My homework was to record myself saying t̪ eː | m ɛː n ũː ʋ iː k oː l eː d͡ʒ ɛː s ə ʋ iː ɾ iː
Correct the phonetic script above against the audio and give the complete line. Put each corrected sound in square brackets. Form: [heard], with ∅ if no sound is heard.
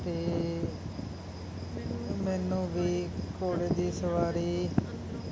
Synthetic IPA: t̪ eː | m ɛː n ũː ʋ iː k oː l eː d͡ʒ [iː] s ə ʋ [aː] ɾ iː